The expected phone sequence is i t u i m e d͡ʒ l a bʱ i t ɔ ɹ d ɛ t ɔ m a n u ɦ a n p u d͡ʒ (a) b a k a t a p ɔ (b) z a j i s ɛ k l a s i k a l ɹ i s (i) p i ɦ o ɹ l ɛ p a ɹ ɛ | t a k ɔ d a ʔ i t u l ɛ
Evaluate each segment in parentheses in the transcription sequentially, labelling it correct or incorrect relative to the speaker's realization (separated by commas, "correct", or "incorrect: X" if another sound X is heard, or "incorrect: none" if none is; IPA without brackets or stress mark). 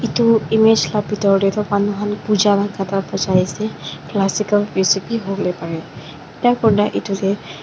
correct, incorrect: none, correct